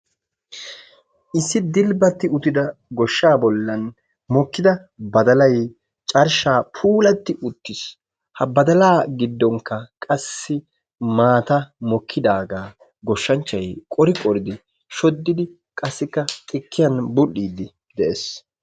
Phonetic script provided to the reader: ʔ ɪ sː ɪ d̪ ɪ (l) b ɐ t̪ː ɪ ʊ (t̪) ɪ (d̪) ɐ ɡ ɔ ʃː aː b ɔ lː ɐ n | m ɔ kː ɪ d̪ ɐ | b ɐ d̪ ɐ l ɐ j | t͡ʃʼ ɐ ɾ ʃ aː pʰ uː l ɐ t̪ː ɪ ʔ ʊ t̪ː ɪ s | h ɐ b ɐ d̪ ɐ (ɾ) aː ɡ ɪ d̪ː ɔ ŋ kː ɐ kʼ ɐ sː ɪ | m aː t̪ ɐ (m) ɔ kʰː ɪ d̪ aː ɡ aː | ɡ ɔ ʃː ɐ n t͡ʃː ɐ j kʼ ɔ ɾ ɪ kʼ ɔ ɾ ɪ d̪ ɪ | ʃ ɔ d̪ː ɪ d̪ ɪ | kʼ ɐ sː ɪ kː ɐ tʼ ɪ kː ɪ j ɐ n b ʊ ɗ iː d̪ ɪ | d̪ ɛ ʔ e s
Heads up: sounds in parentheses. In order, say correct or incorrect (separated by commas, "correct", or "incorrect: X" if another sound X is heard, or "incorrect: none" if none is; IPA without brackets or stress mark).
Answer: correct, correct, correct, incorrect: l, correct